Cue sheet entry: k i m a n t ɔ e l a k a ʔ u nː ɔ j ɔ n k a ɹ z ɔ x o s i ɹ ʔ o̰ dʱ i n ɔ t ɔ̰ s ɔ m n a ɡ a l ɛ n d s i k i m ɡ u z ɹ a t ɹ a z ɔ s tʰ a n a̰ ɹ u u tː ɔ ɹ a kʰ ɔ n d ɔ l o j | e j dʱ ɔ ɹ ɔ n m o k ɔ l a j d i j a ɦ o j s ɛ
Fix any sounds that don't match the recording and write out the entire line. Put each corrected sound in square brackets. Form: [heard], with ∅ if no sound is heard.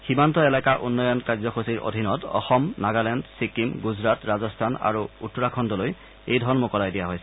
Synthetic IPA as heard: [x] i m a n t ɔ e l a k a ʔ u nː ɔ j ɔ n k a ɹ z ɔ x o s i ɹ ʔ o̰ dʱ i n ɔ t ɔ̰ [x] ɔ m n a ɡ a l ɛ n d s i k i m ɡ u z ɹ a t ɹ a z ɔ s tʰ a n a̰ ɹ u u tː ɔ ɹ a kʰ ɔ n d ɔ l o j | e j dʱ ɔ ɹ ɔ n m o k ɔ l a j d i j a ɦ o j s ɛ